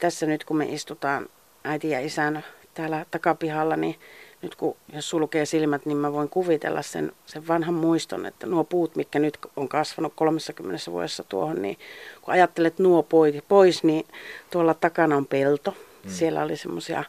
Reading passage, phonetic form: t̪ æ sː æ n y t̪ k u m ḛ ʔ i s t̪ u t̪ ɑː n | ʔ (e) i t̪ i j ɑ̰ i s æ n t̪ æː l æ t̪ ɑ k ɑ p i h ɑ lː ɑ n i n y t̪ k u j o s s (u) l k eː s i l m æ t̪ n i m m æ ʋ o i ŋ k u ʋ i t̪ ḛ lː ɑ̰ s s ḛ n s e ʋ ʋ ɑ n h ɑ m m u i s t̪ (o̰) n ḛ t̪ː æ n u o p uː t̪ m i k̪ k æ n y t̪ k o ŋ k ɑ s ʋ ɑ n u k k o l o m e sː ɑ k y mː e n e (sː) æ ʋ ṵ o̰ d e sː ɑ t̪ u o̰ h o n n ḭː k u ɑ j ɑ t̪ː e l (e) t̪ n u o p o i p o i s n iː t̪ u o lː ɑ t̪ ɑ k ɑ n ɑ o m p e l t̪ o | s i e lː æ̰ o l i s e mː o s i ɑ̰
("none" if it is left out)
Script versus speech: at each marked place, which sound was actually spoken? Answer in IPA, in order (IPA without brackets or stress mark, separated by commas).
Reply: æ, u, o̰, sː, e